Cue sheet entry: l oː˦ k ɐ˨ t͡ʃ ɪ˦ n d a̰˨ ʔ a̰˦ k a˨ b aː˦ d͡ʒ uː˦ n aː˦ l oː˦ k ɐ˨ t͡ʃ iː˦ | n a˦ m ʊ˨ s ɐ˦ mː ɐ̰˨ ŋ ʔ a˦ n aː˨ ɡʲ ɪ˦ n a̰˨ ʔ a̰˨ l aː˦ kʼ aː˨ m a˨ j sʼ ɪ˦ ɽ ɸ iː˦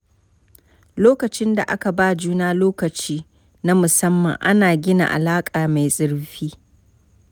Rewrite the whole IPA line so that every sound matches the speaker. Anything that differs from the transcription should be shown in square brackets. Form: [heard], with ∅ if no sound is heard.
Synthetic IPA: l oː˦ k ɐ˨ t͡ʃ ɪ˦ n d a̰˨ ʔ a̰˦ k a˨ b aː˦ d͡ʒ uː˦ n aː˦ l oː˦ k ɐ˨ t͡ʃ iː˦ | n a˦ m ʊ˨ s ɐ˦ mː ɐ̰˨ ŋ ʔ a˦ n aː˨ ɡʲ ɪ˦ n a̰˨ ʔ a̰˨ l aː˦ kʼ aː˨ m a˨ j sʼ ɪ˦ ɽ ɸ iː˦